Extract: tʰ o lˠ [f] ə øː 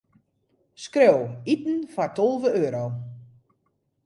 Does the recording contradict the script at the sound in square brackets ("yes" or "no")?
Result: yes